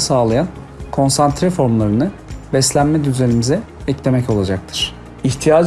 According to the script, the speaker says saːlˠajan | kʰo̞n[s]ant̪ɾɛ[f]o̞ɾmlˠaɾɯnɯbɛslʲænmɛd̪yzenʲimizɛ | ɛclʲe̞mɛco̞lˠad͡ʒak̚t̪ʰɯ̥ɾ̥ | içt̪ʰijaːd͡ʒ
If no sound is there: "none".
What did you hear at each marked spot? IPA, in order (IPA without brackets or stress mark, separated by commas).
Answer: s, f